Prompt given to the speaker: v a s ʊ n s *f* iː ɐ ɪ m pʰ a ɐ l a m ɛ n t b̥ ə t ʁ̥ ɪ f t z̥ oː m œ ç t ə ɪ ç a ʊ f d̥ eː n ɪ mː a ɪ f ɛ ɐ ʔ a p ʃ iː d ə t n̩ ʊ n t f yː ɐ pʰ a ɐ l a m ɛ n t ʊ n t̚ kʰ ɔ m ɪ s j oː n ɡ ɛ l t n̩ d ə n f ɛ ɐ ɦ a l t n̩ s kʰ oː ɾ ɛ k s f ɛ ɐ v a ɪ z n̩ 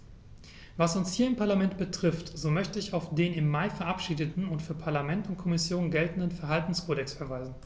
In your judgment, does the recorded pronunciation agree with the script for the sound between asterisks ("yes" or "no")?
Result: no